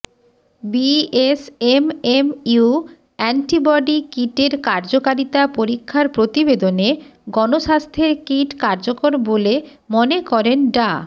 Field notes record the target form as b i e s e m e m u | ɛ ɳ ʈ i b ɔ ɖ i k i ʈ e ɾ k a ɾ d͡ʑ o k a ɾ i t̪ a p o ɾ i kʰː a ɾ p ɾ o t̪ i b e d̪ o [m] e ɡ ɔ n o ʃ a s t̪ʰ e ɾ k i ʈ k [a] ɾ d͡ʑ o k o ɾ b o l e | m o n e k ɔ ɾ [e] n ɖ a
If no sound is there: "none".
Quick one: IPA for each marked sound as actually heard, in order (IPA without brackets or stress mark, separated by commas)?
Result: n, a, e